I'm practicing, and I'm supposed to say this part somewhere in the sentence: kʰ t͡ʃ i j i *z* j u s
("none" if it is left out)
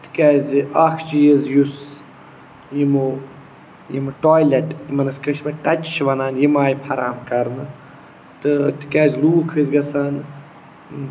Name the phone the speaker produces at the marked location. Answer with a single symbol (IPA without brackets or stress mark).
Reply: z